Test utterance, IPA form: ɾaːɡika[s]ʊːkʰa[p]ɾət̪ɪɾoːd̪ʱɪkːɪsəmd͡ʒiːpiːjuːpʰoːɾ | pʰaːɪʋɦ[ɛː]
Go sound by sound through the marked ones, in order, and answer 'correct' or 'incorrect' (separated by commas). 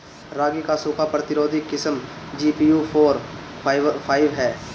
correct, correct, correct